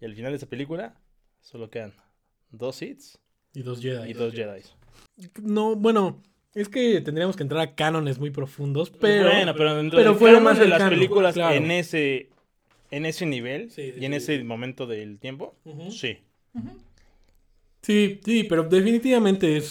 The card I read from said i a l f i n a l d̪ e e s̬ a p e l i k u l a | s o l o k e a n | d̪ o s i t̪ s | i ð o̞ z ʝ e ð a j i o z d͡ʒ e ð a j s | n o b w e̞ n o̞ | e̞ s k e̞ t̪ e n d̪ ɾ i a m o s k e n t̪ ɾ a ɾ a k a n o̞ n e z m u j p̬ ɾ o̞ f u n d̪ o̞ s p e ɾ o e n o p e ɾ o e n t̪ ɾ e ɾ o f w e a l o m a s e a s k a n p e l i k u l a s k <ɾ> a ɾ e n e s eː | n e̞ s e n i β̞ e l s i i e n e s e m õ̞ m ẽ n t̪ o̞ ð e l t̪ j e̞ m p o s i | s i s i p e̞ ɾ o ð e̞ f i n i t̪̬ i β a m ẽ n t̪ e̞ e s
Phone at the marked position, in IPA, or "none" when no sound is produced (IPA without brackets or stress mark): l